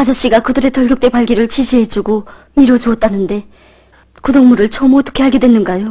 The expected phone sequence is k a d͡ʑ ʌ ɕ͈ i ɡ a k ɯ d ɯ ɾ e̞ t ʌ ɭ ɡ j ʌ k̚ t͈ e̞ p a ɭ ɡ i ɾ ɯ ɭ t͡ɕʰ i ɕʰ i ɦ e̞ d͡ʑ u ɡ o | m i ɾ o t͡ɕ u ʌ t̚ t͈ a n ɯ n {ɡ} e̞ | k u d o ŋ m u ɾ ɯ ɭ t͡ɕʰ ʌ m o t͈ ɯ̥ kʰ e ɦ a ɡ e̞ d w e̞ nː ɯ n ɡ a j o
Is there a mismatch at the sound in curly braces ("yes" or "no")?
yes